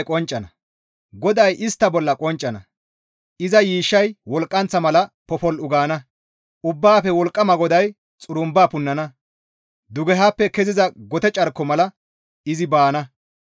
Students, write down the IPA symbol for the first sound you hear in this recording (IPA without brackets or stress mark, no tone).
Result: kʼ